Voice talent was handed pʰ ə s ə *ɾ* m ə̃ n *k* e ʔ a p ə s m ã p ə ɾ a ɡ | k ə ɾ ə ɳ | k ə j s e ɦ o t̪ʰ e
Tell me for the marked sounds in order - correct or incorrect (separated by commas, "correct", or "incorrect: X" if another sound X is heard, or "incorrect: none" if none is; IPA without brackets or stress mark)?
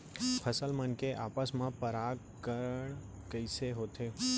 incorrect: l, correct